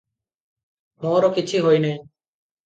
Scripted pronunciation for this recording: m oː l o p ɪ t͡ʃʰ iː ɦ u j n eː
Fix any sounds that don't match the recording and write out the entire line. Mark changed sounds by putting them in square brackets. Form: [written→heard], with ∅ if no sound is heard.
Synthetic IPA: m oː [l→ɾ] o [p→k] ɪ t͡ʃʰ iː ɦ [u→o] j n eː